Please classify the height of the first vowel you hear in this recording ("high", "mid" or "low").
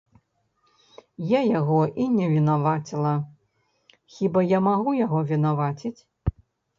low